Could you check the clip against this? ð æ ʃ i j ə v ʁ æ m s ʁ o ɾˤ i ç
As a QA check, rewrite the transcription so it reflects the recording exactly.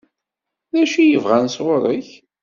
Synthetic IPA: ð æ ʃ i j ə v ʁ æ n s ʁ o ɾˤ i ç

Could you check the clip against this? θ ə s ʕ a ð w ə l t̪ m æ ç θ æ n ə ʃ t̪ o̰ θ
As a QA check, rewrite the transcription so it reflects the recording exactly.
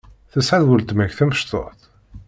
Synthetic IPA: θ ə s ʕ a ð w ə l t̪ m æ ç θ æ m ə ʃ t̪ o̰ θ

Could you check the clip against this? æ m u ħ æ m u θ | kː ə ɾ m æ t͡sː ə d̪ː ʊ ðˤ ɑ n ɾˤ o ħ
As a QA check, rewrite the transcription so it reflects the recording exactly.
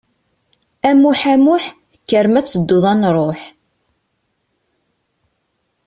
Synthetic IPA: æ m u ħ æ m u ħ | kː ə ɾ m æ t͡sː ə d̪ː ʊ ðˤ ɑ n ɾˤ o ħ

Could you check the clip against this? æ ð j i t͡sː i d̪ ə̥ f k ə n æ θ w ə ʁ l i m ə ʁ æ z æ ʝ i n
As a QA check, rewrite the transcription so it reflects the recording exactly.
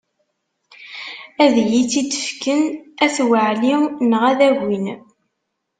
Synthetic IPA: æ ð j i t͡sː i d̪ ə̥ f k ə n æ θ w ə ʕ l i n ə ʁ æ ð æ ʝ i n

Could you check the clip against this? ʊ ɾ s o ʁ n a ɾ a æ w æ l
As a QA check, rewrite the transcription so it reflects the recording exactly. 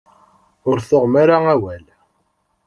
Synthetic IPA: ʊ ɾ θ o ʁ m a ɾ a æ w æ l

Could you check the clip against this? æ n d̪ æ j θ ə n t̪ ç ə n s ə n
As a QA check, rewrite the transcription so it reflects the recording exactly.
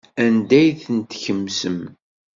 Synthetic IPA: æ n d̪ æ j θ ə n t̪ ç ə m s ə m

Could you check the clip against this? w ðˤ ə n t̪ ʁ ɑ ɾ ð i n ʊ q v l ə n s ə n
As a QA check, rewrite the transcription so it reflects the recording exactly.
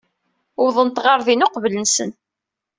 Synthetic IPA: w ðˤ ə n t̪ ʁ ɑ ɾ ð i n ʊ q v l ə n s ə n

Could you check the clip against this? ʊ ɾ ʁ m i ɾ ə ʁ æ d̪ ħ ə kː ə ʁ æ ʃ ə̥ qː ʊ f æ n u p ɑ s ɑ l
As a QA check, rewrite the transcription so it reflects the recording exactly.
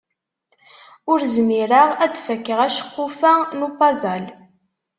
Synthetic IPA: ʊ ɾ z m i ɾ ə ʁ æ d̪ f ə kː ə ʁ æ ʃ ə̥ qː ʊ f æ n u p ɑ z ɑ l

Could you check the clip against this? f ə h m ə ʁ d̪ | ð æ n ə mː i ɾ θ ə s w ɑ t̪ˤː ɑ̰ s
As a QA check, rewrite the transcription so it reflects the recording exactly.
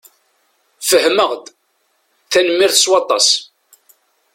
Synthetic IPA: f ə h m ə ʁ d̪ | θ æ n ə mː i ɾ θ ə s w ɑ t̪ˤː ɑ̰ s

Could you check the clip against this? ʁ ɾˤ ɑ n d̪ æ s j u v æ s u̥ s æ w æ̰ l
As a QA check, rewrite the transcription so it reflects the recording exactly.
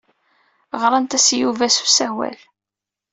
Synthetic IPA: ʁ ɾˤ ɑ n t̪ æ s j u v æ s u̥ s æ w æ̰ l

